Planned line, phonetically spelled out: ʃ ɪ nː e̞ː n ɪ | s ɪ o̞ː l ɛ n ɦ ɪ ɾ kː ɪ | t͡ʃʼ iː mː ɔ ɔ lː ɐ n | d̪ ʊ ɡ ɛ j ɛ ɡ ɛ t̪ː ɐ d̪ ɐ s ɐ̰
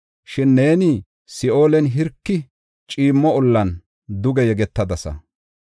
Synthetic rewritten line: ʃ ɪ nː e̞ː n ɪ | s ɪ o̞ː l ɛ n ɦ ɪ ɾ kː ɪ | t͡ʃʼ iː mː ɔ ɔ lː ɐ n | d̪ ʊ ɡ ɛ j ɛ ɡ ɛ t̪ː ɐ d̪ ɐ s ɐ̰